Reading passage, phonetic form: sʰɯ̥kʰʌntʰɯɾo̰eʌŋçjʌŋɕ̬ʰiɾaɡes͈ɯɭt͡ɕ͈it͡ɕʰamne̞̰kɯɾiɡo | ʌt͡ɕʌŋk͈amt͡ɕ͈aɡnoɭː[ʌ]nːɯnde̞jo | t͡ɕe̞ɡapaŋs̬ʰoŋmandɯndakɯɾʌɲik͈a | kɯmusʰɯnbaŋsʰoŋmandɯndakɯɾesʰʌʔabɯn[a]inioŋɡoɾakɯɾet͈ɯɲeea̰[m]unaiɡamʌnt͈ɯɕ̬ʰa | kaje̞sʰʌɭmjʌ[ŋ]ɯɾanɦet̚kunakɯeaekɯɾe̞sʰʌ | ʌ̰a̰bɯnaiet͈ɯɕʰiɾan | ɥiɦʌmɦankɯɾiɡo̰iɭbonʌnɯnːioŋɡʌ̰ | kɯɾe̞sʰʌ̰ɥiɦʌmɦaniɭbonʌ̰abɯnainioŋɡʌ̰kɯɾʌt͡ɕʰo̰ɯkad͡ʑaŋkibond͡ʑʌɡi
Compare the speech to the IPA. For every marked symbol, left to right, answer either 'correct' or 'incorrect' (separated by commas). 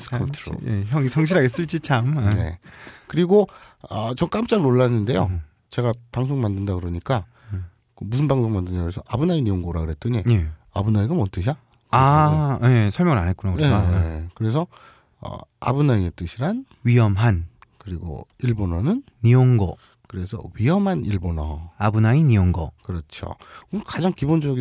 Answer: incorrect, correct, incorrect, correct